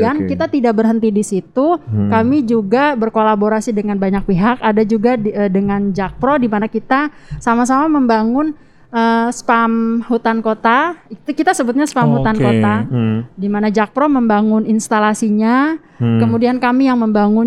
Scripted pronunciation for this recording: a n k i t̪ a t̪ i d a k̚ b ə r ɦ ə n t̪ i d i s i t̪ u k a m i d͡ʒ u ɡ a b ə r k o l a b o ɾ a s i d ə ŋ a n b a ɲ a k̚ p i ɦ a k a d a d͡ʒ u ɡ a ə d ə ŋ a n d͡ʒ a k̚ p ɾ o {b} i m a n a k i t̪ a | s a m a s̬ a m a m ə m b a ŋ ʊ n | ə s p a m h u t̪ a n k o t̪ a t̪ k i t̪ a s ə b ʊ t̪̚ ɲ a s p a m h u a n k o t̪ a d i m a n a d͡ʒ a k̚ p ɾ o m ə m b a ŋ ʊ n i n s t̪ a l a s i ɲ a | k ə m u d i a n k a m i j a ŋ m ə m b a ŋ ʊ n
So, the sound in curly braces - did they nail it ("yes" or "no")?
no